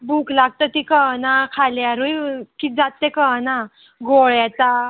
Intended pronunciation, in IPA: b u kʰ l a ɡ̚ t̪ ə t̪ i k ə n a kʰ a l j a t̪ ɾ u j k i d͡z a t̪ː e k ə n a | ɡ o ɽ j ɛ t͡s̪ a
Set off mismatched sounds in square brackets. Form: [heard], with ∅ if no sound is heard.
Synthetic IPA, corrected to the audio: b u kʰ l a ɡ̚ t̪ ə t̪ i k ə n a kʰ a l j a [∅] ɾ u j k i d͡z a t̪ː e k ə n a | ɡ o [ɭ] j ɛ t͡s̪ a